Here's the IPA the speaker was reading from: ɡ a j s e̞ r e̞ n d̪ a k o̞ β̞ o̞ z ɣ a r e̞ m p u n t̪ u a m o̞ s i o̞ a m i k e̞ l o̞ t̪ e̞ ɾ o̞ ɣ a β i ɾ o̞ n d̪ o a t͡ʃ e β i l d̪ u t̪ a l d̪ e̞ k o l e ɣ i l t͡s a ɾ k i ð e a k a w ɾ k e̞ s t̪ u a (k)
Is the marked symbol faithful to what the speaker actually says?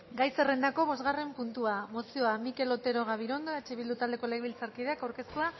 no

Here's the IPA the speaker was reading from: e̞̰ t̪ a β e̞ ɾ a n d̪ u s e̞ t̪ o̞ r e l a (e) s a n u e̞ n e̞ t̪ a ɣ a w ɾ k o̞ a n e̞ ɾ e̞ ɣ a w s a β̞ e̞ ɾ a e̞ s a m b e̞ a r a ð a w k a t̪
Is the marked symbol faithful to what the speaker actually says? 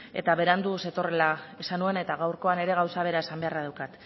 yes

